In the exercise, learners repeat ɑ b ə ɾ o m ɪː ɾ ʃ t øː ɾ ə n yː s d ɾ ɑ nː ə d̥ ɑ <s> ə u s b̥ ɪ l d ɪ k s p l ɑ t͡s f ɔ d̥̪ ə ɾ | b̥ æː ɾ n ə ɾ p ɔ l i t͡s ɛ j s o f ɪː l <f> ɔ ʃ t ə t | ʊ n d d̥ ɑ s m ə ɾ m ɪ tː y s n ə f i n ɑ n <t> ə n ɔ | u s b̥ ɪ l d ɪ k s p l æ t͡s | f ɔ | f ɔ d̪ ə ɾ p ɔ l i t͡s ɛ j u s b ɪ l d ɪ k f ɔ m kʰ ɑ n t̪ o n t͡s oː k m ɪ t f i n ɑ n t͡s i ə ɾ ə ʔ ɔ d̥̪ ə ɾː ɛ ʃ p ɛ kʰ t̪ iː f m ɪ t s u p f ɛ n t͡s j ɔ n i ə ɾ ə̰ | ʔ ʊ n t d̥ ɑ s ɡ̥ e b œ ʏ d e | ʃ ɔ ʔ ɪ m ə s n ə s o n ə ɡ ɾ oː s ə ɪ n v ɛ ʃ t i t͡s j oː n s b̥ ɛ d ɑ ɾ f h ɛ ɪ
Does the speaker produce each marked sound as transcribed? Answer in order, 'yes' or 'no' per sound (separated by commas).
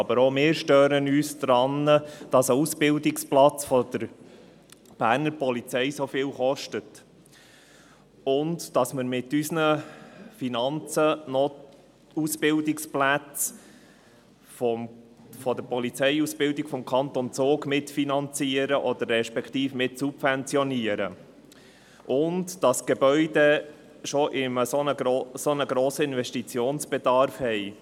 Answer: yes, no, no